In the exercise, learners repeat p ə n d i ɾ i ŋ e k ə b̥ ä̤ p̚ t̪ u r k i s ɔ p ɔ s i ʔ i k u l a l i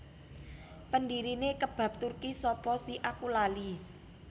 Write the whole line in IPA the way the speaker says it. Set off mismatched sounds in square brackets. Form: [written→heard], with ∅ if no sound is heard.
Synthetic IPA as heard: p ə n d i ɾ i [ŋ→n] e k ə b̥ ä̤ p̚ t̪ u r k i s ɔ p ɔ s i ʔ [i→a] k u l a l i

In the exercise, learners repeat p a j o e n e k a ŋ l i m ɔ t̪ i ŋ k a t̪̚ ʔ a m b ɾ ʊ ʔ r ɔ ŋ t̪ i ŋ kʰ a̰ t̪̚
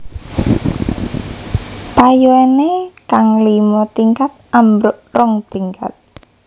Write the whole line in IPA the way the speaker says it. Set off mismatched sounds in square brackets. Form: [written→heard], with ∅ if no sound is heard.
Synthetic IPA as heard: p a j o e n e k a ŋ l i m ɔ t̪ i ŋ k a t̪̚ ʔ a m b ɾ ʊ ʔ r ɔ ŋ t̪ i ŋ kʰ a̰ t̪̚

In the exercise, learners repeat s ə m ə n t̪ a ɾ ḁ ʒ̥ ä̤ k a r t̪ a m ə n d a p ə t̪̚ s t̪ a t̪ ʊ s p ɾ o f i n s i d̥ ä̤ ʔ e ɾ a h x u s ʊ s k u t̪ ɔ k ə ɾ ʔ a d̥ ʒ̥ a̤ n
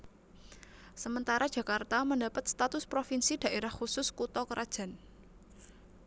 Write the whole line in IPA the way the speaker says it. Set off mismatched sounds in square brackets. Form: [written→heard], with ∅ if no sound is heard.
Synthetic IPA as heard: s ə m ə n t̪ a ɾ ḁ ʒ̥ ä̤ k a r t̪ a m ə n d a p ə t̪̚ s t̪ a t̪ ʊ s p ɾ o f i n s i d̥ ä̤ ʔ e ɾ a h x u s ʊ s k u t̪ ɔ k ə ɾ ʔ a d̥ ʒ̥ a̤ n

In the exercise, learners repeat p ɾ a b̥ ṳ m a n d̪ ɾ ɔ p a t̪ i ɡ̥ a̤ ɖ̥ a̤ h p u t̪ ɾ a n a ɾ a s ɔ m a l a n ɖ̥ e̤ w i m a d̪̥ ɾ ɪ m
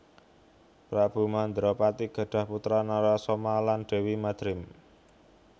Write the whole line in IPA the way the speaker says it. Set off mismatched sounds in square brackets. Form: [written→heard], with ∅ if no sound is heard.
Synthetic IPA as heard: p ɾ a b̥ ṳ m a n d̪ ɾ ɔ p a t̪ i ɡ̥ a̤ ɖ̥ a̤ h p u t̪ ɾ a n a ɾ a s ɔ m a l a n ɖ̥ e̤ w i m a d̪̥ ɾ ɪ m

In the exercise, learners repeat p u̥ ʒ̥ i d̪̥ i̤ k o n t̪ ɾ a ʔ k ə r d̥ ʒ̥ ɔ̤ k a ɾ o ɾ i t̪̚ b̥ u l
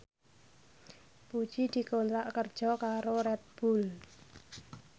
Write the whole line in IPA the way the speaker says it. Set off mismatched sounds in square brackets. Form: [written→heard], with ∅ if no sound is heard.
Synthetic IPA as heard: p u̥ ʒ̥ i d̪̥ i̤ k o n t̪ ɾ a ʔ k ə r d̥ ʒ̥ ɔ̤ k a ɾ o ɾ [i→ɛ] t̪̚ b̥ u l

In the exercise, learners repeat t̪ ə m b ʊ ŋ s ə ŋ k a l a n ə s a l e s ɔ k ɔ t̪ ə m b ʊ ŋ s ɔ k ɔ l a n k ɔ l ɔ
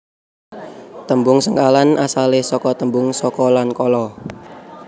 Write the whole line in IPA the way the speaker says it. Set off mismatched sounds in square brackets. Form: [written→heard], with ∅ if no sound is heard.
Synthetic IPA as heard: t̪ ə m b ʊ ŋ s ə ŋ k a l a n [ə→a] s a l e s ɔ k ɔ t̪ ə m b ʊ ŋ s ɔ k ɔ l a n k ɔ l ɔ

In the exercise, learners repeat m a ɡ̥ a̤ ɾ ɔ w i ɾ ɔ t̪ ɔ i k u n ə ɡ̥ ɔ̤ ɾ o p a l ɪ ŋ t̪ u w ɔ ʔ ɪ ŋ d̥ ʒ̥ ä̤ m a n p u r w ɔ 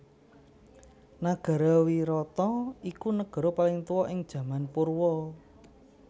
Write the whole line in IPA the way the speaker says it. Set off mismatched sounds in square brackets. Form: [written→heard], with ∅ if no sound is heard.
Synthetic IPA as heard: [m→n] a ɡ̥ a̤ ɾ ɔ w i ɾ ɔ t̪ ɔ i k u n ə ɡ̥ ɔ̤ ɾ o p a l ɪ ŋ t̪ u w ɔ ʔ ɪ ŋ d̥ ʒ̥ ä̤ m a n p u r w ɔ

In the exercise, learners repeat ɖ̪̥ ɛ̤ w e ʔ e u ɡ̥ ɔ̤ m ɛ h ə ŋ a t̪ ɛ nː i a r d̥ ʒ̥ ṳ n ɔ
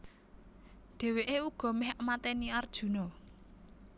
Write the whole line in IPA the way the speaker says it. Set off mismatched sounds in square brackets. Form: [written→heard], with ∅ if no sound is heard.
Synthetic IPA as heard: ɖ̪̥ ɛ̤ w e ʔ e u ɡ̥ ɔ̤ m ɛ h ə [ŋ→m] a t̪ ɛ [nː→n] i a r d̥ ʒ̥ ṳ n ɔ

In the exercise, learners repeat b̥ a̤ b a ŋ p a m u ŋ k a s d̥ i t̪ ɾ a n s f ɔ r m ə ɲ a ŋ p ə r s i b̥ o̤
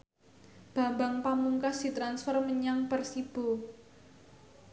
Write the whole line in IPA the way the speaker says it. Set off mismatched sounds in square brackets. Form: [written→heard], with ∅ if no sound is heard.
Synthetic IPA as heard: b̥ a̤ b a ŋ p a m u ŋ k a s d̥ i t̪ ɾ a n s f ɔ r m ə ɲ a ŋ p ə r s i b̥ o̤

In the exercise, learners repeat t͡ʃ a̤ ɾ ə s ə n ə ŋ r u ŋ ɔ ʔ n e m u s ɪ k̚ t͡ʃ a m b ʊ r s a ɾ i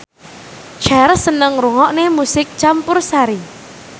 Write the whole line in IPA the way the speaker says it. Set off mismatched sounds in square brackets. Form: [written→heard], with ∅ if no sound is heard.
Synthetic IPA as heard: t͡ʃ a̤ ɾ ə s ə n ə ŋ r u ŋ ɔ ʔ n e m u s ɪ k̚ t͡ʃ a m [b→p] ʊ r s a ɾ i

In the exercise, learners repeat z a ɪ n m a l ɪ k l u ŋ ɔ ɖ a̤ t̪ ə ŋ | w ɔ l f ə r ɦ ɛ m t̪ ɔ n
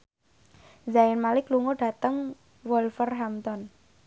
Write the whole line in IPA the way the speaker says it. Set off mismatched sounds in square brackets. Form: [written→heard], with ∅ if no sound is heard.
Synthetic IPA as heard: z a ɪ n m a l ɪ k l u ŋ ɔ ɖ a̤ t̪ ə ŋ | w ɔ l f ə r ɦ [ɛ→a] m t̪ ɔ n

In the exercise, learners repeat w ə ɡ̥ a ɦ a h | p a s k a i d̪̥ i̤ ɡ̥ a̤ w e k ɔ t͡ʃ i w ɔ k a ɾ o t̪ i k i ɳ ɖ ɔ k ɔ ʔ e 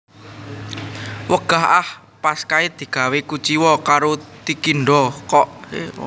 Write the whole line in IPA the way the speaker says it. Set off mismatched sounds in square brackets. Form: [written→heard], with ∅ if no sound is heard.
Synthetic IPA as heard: w ə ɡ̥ a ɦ a h | p a s k a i d̪̥ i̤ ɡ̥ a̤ w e k [ɔ→u] t͡ʃ i w ɔ k a ɾ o t̪ i k i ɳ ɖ ɔ k ɔ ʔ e

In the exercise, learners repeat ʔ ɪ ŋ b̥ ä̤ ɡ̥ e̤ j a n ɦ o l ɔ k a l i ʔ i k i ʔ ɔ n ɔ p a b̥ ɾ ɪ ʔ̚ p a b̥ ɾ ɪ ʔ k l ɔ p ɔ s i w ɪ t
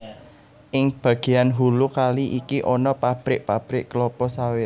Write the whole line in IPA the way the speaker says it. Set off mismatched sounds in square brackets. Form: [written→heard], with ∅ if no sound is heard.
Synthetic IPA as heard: ʔ ɪ ŋ b̥ ä̤ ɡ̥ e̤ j a n ɦ [o→u] l [ɔ→u] k a l i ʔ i k i ʔ ɔ n ɔ p a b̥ ɾ ɪ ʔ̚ p a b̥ ɾ ɪ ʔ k l ɔ p ɔ s [i→a] w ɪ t

